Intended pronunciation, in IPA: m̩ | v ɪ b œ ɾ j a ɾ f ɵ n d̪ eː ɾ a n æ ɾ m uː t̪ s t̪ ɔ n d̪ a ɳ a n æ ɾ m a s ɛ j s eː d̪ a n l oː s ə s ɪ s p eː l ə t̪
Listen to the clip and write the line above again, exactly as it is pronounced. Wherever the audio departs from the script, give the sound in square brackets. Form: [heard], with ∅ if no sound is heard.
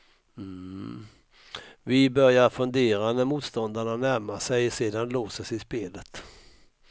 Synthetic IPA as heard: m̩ | v ɪ b œ ɾ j a ɾ f ɵ n d̪ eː ɾ a n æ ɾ m uː t̪ s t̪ ɔ n d̪ a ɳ a n æ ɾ m a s ɛ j s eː d̪ a n l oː s ə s ɪ s p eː l ə t̪